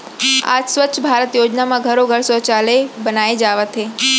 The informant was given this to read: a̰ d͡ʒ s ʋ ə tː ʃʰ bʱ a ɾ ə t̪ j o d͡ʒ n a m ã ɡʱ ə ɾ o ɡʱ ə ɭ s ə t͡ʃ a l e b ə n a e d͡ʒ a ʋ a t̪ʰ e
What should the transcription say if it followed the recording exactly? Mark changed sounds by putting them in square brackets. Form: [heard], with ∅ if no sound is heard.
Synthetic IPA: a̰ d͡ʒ s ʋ ə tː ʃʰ bʱ a ɾ ə t̪ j o d͡ʒ n a m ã ɡʱ ə ɾ o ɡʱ ə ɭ s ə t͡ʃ a l e b ə n a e d͡ʒ a ʋ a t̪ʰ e